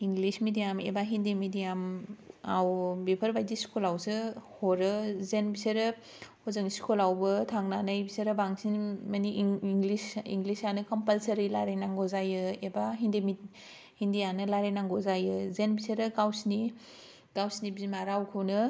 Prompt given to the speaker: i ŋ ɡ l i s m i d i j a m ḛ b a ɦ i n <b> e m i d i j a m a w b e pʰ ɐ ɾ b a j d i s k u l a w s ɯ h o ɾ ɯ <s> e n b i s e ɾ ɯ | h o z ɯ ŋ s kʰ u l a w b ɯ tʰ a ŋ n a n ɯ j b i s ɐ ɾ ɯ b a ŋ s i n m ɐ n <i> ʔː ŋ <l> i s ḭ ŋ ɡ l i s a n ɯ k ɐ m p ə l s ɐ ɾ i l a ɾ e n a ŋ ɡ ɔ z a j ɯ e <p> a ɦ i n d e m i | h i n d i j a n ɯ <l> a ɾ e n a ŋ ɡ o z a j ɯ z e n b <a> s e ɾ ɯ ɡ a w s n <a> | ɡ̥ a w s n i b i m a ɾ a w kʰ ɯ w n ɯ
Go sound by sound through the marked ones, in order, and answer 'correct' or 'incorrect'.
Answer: incorrect: d, incorrect: z, correct, correct, incorrect: b, correct, incorrect: i, incorrect: i

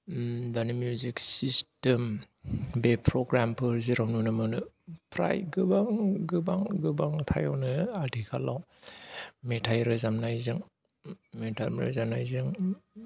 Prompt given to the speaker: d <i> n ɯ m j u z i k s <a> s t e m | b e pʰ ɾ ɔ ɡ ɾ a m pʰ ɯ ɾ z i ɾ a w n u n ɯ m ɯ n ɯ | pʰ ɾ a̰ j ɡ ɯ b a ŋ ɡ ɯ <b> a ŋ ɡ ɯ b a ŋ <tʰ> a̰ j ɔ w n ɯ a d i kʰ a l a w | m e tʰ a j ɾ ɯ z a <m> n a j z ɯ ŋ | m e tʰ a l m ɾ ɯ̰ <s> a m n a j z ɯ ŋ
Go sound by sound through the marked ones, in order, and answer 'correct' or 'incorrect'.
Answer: incorrect: a, incorrect: i, correct, correct, correct, incorrect: z

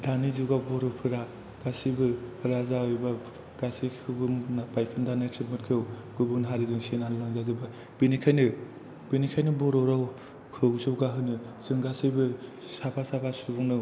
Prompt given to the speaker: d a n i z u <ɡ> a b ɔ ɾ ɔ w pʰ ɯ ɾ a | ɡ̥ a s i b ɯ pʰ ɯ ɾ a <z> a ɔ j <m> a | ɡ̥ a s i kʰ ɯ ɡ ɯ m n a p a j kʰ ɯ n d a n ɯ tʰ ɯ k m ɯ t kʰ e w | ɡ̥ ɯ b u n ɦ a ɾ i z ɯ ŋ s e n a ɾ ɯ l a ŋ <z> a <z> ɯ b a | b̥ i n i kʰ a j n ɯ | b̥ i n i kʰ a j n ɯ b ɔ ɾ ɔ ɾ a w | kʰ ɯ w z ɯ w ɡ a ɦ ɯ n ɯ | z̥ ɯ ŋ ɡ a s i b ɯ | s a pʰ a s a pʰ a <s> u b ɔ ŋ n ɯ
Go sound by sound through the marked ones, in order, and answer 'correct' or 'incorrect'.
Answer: correct, correct, incorrect: b, correct, correct, correct

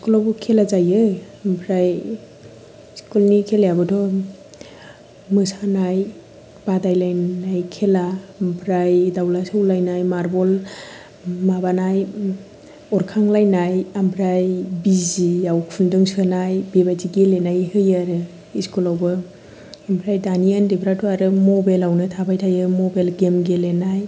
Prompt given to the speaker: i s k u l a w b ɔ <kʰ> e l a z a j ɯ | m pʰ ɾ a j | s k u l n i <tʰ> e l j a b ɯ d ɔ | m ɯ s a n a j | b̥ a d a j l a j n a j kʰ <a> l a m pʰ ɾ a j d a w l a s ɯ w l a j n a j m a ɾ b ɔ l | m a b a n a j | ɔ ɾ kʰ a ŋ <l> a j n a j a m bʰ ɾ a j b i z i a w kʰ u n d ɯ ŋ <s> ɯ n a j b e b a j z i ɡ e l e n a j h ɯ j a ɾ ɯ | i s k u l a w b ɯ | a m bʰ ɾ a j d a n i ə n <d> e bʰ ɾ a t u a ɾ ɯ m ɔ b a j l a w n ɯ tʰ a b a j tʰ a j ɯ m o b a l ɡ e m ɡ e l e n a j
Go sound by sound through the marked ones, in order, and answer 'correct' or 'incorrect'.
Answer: correct, incorrect: kʰ, incorrect: e, correct, correct, correct

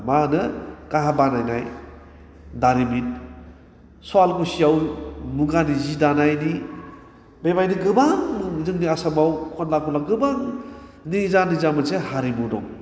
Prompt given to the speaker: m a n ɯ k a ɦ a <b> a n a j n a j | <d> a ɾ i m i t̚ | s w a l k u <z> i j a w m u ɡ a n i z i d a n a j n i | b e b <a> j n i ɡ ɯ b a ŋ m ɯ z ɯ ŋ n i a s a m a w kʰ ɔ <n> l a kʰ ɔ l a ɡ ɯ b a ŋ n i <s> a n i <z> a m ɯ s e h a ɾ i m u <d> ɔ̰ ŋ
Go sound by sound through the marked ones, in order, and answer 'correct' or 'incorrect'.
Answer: correct, correct, incorrect: s, correct, correct, incorrect: z, correct, correct

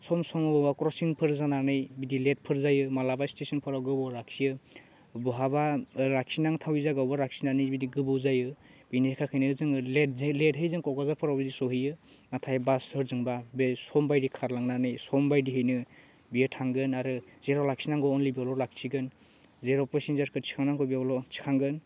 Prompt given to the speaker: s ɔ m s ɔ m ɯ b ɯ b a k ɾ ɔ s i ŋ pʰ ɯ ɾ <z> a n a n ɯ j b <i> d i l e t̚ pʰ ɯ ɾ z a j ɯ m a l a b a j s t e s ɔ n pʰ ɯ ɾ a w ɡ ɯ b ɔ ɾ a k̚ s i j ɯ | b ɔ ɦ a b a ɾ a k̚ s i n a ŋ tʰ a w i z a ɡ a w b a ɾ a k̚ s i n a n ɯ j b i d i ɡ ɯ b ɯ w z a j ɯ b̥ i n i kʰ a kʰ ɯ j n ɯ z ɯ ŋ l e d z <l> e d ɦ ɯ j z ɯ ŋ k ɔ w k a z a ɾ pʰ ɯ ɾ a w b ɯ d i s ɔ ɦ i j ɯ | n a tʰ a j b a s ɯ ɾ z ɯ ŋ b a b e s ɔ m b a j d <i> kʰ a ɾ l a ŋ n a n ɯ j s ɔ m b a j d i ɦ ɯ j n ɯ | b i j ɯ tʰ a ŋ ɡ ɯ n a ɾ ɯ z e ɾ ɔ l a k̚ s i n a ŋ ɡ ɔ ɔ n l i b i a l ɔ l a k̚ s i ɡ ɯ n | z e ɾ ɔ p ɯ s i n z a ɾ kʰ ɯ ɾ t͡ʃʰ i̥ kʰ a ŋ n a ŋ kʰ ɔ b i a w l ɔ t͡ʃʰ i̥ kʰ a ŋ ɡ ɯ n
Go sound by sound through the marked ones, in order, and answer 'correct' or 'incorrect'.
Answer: correct, correct, correct, correct

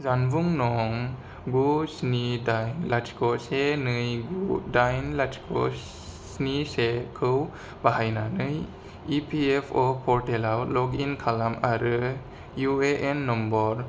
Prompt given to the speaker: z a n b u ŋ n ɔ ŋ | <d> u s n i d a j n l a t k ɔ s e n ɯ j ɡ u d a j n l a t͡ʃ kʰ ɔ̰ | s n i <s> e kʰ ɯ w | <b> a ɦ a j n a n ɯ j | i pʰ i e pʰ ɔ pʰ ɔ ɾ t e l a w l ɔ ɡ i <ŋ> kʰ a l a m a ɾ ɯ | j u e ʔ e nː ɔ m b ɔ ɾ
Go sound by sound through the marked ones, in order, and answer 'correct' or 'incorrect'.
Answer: incorrect: ɡ, correct, correct, incorrect: n

